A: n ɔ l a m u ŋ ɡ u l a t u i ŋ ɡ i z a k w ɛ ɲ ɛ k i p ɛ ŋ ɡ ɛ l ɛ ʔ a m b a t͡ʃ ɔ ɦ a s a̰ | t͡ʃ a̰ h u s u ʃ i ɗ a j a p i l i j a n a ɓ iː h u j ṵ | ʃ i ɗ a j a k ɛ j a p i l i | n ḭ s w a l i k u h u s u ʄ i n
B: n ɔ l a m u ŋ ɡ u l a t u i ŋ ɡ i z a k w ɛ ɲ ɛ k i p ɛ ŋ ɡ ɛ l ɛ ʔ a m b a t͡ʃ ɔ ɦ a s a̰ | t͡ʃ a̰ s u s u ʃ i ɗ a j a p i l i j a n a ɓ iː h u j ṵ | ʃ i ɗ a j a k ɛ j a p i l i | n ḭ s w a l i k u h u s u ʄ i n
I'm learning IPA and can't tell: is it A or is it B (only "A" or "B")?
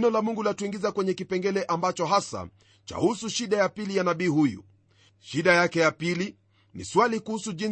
A